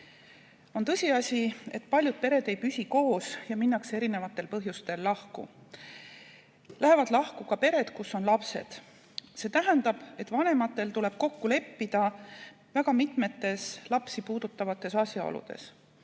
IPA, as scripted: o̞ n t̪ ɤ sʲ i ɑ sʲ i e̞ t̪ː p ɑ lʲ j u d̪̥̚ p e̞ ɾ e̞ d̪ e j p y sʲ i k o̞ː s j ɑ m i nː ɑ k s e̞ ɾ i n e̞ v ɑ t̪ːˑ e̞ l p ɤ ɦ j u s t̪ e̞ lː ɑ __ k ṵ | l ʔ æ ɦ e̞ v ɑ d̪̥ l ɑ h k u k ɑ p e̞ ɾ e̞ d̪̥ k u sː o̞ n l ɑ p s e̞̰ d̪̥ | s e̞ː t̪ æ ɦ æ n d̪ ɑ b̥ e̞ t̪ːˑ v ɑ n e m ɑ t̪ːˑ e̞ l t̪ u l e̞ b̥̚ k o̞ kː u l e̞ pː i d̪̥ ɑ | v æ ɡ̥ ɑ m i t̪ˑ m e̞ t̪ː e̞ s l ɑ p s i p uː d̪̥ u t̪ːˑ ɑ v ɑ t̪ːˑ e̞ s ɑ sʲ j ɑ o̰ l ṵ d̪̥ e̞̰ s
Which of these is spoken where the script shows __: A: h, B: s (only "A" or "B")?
A